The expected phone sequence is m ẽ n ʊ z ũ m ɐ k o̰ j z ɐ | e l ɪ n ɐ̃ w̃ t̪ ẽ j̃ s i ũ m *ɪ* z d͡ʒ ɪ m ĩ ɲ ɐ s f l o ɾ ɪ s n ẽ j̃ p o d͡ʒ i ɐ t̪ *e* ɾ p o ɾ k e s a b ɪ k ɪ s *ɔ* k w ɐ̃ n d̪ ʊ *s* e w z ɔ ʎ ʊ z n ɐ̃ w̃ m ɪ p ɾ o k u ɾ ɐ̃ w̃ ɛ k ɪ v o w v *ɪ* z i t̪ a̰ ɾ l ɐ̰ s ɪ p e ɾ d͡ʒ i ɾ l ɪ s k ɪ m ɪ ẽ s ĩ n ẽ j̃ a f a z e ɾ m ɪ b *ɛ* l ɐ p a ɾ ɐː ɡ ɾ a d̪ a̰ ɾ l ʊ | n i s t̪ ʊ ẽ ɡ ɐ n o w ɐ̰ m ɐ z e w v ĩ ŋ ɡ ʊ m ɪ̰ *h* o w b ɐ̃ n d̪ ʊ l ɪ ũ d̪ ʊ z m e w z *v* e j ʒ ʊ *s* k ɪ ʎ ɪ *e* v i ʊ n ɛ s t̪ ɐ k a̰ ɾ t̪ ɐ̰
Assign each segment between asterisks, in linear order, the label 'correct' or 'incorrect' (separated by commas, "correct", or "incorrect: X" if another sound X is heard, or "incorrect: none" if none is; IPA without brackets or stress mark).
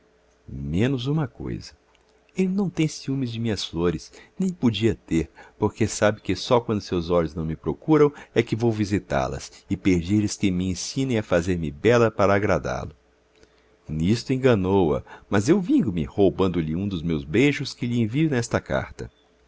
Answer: correct, correct, correct, correct, incorrect: i, correct, correct, incorrect: b, correct, incorrect: ẽ